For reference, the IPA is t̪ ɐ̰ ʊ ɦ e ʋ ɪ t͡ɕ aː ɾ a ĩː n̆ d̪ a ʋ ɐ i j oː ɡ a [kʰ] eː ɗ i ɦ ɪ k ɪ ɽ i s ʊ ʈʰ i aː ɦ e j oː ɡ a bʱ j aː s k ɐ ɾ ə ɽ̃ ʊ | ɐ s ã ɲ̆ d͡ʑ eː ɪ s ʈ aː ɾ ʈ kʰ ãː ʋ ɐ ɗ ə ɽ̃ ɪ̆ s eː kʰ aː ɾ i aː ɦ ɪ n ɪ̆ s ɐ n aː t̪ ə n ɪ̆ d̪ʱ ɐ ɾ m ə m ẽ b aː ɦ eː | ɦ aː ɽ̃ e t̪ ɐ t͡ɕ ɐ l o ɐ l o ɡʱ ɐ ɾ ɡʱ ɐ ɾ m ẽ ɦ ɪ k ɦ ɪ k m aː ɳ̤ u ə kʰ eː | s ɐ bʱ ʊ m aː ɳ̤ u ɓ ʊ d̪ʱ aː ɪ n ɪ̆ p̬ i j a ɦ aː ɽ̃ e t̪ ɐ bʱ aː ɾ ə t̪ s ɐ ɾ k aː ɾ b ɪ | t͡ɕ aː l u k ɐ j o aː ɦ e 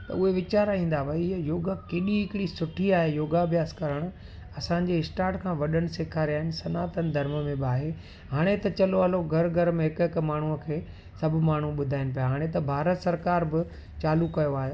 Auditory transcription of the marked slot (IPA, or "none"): k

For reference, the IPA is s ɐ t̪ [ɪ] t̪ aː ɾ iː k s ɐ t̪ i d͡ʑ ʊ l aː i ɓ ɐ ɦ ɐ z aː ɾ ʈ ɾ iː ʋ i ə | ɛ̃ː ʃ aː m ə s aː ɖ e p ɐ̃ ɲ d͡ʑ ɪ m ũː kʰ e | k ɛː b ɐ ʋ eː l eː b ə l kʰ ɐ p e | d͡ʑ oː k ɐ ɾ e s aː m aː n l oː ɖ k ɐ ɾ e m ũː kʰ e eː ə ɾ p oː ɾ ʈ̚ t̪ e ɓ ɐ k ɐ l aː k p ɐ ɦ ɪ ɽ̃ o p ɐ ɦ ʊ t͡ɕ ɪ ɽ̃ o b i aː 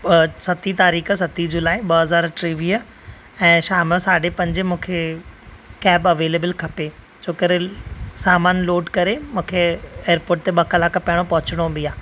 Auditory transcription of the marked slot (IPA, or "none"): i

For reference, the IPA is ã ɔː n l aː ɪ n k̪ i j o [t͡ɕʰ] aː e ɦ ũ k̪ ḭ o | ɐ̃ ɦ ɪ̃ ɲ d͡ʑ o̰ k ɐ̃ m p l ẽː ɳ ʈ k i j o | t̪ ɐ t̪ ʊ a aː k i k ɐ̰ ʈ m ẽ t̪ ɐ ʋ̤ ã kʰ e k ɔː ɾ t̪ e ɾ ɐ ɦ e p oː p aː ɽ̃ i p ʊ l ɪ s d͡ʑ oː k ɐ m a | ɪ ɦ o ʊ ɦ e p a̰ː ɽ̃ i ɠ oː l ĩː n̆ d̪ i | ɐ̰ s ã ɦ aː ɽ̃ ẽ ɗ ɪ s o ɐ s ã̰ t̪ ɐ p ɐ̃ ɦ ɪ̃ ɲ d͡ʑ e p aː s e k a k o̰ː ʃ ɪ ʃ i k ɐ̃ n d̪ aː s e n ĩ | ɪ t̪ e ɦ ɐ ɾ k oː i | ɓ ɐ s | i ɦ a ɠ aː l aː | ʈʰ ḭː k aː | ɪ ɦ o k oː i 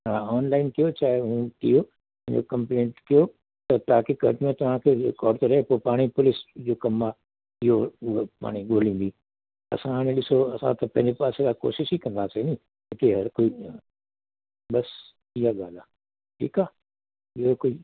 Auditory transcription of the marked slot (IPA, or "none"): t͡ɕ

